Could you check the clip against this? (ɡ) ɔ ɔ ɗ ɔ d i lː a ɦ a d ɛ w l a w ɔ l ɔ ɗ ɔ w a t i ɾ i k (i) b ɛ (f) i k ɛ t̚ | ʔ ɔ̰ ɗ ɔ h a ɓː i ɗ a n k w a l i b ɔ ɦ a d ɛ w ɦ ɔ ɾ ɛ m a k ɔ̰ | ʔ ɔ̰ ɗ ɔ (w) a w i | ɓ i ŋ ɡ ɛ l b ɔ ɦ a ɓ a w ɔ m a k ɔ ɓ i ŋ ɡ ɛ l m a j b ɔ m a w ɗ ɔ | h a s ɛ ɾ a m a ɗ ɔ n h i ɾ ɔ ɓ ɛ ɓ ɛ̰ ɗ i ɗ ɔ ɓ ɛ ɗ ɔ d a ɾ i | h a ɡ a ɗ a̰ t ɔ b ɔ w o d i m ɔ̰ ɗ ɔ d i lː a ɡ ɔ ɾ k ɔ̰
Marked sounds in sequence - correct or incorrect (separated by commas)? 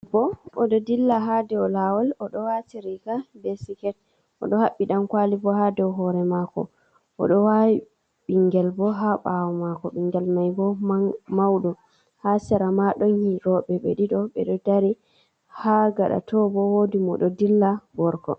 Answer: incorrect, incorrect, incorrect, correct